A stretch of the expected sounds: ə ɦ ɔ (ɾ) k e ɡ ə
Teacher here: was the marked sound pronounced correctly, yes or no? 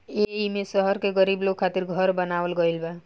yes